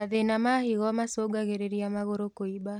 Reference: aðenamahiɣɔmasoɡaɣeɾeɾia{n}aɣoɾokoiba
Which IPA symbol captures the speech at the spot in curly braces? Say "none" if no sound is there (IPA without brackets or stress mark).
m